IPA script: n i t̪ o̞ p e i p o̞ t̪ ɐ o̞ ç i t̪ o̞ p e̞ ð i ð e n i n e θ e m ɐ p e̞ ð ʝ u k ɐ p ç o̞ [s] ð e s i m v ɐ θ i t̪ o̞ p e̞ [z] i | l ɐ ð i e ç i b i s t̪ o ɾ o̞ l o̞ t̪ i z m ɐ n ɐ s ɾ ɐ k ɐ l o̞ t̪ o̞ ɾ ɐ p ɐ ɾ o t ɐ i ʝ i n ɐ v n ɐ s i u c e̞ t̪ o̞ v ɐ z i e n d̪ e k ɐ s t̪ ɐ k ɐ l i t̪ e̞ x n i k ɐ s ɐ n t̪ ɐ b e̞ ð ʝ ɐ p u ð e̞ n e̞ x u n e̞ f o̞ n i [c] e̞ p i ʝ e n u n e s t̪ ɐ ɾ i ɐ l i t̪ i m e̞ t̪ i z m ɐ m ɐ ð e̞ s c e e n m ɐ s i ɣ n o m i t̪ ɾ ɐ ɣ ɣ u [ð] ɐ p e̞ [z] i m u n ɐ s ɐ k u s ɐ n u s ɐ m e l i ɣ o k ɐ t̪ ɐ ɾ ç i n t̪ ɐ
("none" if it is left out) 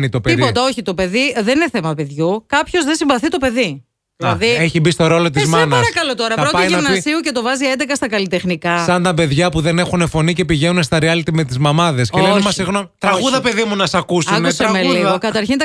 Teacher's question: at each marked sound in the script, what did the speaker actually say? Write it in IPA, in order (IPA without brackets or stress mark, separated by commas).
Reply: z, ð, c, ð, ð